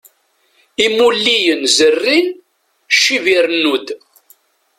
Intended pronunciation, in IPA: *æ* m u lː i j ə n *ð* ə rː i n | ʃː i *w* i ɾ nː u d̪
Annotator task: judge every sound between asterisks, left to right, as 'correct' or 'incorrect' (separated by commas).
incorrect, incorrect, incorrect